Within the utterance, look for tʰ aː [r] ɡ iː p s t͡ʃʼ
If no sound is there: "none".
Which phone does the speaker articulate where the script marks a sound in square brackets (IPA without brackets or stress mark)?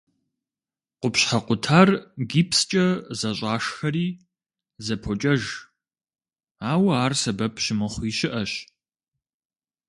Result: r